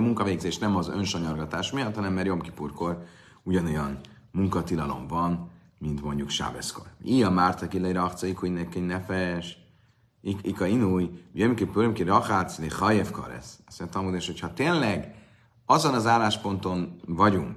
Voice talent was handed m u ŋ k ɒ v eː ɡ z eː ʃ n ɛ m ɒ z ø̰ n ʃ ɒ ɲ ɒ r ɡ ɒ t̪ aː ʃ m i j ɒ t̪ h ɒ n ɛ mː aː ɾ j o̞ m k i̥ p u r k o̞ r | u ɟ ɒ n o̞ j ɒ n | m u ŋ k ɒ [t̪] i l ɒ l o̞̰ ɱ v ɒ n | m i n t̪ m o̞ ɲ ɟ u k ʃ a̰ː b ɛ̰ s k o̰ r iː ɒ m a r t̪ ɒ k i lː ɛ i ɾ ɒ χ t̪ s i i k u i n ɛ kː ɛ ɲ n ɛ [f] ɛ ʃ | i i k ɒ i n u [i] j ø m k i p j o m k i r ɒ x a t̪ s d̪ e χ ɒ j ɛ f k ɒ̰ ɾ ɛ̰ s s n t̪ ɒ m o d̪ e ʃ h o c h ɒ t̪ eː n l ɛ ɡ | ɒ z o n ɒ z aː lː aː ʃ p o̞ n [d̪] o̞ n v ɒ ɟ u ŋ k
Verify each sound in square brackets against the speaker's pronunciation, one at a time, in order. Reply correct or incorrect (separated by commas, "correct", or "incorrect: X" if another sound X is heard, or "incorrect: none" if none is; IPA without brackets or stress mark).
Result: correct, correct, incorrect: j, incorrect: t̪